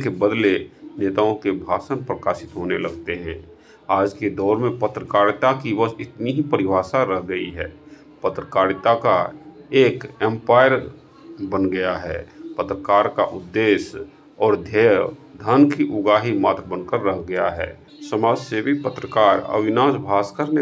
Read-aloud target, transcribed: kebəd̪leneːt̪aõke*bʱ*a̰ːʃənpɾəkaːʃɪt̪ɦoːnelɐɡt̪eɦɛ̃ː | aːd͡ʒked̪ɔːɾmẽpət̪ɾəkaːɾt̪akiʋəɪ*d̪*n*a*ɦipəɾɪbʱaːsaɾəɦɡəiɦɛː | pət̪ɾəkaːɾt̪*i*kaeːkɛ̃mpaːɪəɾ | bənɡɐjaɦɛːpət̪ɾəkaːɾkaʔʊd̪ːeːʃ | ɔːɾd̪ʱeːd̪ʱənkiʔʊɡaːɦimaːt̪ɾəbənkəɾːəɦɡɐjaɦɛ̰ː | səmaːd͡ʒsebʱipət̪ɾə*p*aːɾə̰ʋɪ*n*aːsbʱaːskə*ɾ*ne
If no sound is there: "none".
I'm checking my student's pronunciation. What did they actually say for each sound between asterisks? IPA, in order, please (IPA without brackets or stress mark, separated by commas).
bʱ, t̪, i, a, k, n, ɾ